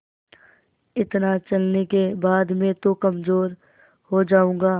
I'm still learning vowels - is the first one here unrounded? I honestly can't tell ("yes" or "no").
yes